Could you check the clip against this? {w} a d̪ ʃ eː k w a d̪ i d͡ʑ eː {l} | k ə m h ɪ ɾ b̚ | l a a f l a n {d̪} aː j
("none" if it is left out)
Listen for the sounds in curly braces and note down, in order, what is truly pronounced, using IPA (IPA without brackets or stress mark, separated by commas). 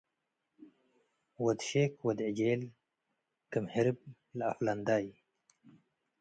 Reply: w, l, d̪